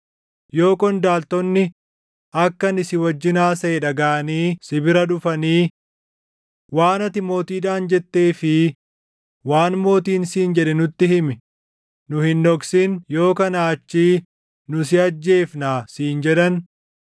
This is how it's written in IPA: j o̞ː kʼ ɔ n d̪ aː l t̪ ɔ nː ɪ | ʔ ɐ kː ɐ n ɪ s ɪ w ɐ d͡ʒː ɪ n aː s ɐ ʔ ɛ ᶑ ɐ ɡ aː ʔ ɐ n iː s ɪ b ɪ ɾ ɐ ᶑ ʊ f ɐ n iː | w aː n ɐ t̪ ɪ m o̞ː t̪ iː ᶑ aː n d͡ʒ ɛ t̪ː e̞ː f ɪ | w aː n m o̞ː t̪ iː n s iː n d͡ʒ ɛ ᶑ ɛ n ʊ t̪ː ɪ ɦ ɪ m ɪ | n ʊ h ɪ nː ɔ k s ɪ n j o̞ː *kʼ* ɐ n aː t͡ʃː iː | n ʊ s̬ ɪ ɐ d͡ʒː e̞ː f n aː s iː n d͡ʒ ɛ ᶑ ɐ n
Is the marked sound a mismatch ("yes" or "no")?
yes